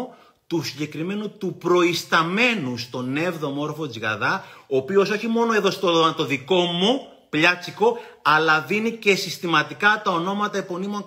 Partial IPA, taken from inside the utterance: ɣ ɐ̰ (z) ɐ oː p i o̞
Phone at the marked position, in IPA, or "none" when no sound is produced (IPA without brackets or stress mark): ð